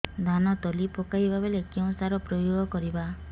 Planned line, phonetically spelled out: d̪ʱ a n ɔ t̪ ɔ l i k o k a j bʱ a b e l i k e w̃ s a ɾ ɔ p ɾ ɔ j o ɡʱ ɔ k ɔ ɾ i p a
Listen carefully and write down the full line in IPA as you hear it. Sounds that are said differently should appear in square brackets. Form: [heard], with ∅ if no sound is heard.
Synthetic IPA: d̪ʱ a n ɔ t̪ ɔ l i [p] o k a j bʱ a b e l [e] k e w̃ s a ɾ ɔ p ɾ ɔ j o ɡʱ ɔ k ɔ ɾ i [b] a